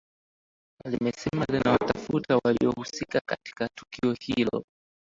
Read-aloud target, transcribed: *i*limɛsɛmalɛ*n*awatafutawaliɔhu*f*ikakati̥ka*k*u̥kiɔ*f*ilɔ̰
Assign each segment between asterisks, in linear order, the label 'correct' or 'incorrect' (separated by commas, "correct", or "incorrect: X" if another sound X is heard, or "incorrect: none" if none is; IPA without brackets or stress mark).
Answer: incorrect: a, correct, incorrect: s, incorrect: t, incorrect: h